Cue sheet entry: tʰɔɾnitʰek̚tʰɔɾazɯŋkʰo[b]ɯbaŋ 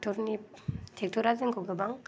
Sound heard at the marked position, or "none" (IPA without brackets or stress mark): ɡ